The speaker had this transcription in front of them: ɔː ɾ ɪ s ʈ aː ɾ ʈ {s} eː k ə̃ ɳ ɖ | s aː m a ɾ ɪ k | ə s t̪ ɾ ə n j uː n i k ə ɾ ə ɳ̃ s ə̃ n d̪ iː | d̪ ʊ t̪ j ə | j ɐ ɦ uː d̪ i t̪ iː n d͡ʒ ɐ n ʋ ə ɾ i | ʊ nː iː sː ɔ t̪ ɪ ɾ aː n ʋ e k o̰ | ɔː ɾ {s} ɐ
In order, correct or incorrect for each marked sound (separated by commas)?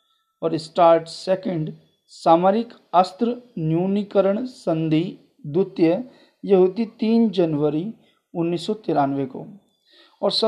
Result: correct, correct